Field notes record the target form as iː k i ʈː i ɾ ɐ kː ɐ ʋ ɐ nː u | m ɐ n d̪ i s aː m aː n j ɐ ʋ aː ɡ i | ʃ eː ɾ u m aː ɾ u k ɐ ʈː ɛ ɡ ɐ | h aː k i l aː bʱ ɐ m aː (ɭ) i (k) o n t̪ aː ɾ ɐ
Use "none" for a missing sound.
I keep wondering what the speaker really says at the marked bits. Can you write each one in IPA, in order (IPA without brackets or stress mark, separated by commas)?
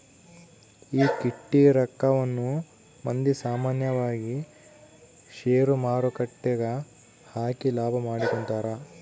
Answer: ɽ, k